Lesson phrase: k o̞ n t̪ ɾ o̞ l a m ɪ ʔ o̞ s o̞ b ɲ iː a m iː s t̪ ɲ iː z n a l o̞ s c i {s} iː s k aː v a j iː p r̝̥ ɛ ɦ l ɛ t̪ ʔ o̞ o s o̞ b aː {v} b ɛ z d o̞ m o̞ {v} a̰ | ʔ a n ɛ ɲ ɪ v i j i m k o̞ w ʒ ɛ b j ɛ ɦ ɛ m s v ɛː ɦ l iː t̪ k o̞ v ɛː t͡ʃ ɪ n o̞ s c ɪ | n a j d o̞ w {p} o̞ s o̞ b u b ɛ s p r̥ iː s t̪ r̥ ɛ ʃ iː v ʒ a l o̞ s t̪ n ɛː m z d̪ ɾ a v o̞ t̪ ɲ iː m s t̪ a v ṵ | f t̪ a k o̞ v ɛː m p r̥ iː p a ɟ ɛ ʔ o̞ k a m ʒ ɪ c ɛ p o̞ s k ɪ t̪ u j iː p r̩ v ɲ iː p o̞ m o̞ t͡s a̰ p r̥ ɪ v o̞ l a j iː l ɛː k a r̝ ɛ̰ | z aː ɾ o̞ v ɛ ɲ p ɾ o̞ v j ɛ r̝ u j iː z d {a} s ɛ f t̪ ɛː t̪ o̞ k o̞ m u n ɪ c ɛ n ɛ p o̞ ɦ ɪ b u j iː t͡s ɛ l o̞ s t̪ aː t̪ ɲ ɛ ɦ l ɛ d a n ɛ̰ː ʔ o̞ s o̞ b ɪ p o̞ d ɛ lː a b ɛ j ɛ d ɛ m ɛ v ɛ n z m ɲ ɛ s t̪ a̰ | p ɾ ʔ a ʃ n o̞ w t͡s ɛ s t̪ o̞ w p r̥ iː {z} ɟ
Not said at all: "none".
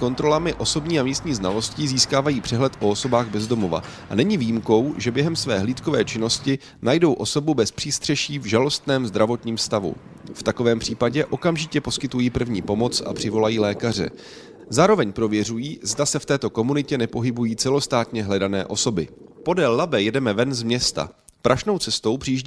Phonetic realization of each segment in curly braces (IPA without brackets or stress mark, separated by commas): z, ɣ, v, ʔ, a, ʒ